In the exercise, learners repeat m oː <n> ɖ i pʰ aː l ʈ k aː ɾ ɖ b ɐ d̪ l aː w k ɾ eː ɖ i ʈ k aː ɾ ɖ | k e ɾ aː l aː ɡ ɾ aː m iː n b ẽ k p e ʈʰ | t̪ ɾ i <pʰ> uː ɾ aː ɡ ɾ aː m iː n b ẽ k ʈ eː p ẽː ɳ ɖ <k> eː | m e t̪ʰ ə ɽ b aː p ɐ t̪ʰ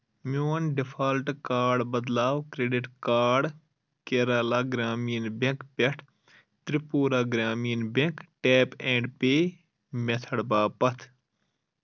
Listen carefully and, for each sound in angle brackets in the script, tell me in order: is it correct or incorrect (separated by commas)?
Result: correct, incorrect, incorrect